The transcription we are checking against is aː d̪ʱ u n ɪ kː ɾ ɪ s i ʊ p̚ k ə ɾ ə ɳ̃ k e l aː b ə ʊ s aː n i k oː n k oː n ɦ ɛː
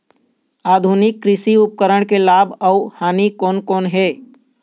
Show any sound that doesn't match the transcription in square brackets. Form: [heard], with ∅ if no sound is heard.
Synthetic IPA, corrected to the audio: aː d̪ʱ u n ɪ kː ɾ ɪ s i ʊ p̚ k ə ɾ ə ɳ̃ k e l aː b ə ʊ [h] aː n i k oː n k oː n ɦ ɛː